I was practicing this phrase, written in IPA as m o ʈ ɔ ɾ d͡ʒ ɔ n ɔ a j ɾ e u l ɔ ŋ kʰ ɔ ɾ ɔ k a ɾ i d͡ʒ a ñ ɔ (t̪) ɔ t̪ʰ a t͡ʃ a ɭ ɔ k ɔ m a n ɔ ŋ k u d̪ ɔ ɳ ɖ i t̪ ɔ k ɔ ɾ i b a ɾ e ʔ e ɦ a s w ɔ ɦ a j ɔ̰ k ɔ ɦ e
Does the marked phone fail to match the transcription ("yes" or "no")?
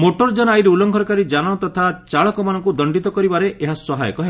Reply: no